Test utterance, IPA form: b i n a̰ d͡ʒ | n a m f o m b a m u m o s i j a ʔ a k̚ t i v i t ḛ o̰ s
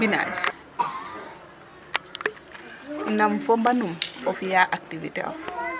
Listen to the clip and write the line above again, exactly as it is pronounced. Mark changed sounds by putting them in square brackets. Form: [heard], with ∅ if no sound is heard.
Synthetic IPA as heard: b i n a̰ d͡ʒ | n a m f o m b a [n] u m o [f] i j a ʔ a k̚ t i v i t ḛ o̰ [f]

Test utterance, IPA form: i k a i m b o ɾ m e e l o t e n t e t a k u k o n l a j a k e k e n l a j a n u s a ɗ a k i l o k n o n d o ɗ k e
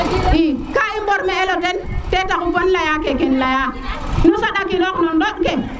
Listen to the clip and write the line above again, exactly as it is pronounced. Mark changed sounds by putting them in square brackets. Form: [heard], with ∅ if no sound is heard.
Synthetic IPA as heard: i k a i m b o ɾ m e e l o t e n t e t a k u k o n l a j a k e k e n l a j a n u s a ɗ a k i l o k n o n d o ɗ k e

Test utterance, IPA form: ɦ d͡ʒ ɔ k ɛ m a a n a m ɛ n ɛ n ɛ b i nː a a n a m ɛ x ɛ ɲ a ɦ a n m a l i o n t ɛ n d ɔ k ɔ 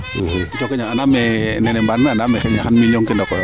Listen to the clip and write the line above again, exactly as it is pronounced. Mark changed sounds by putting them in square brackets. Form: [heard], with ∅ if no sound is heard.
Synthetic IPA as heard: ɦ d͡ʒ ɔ k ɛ [ɲ] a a n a m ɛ n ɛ n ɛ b [a] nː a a n a m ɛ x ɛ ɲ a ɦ a n m [i] l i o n [k] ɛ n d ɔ k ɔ

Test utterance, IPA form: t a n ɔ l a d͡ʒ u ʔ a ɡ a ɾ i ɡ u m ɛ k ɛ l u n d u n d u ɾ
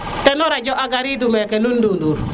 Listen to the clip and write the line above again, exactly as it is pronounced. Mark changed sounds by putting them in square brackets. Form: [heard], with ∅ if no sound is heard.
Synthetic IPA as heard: t [ɛ] n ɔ [ɾ] a d͡ʒ [ɔ] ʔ a ɡ a ɾ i [d] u m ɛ k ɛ l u n d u n d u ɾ

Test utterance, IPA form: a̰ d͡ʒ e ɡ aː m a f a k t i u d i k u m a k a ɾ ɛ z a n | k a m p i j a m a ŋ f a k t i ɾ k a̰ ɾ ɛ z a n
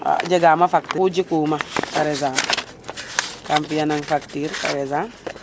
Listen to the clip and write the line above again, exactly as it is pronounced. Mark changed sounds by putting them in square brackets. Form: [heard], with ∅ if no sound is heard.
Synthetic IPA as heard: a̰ d͡ʒ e ɡ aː m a f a k t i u [d͡ʒ] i k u m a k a ɾ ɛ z a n | k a m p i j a [n] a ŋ f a k t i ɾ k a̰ ɾ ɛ z a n

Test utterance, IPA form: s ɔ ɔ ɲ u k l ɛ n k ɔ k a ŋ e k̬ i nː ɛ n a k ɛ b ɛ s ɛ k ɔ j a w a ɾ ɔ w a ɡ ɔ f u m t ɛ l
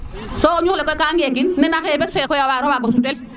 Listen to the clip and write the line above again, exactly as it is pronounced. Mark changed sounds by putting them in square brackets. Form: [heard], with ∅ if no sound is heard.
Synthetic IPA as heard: s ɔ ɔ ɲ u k l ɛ [∅] k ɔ k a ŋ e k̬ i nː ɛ n a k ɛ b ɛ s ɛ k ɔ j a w a ɾ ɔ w a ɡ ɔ [s] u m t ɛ l

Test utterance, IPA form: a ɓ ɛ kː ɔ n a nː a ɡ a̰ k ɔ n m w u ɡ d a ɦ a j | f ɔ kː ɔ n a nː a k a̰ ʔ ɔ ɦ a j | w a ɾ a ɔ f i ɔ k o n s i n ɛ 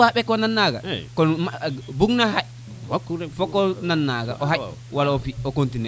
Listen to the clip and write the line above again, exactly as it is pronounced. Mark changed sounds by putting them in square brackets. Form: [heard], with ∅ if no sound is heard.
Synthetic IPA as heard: a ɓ ɛ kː ɔ n a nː a ɡ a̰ k ɔ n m [b] u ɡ [n] a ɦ a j | f ɔ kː ɔ n a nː a [ɡ] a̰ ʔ ɔ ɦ a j | w a [l] a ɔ f i ɔ k o n [t] i n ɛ

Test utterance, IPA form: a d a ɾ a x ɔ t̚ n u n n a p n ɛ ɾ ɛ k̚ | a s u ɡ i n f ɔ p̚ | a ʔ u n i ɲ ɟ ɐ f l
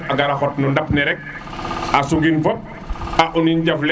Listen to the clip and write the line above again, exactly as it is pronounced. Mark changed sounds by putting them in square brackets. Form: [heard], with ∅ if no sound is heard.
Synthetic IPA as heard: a [ɡ] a ɾ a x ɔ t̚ n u n [d] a p n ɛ ɾ ɛ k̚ | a s u ɡ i n f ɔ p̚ | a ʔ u n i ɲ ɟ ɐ f l

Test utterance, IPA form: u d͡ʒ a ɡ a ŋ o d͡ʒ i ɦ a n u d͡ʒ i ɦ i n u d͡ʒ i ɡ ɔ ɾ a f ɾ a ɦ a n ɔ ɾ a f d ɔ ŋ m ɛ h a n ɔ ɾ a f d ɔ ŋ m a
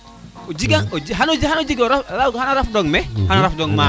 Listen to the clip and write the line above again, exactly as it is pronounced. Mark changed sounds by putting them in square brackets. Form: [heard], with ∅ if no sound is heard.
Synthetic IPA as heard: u d͡ʒ [i] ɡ a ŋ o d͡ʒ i ɦ a n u d͡ʒ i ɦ [a] n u d͡ʒ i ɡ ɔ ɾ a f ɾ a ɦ a n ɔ ɾ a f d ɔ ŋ m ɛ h a n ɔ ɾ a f d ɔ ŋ m a

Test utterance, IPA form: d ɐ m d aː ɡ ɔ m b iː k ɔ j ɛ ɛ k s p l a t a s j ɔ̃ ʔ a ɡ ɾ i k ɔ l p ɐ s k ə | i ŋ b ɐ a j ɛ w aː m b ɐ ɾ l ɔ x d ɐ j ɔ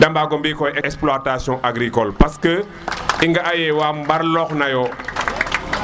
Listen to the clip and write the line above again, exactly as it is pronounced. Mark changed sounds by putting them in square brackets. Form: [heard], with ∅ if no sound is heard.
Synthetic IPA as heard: d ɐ m [b] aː ɡ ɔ m b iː k ɔ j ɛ ɛ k s p l a t a s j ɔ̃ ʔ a ɡ ɾ i k ɔ l p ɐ s k ə | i ŋ [ɡ] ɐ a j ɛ w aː m b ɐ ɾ l ɔ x [n] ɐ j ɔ

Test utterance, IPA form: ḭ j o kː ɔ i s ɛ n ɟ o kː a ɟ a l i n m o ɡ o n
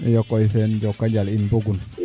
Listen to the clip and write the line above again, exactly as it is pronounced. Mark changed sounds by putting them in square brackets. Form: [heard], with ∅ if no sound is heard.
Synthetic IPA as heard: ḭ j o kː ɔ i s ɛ n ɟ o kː a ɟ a l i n [b] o ɡ [u] n

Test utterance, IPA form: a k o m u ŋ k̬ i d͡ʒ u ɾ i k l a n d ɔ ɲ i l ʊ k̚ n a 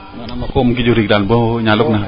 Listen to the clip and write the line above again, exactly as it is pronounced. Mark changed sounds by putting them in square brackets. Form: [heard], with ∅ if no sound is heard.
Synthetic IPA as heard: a k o m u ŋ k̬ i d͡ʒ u ɾ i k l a n [b] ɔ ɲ [a] l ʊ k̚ n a

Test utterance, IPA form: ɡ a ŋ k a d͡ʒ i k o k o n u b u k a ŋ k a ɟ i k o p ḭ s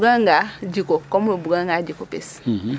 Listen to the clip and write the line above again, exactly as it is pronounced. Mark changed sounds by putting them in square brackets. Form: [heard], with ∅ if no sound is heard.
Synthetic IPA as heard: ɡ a ŋ [ɡ] a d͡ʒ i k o k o [m] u b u [ɡ] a ŋ [ɡ] a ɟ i k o p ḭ s

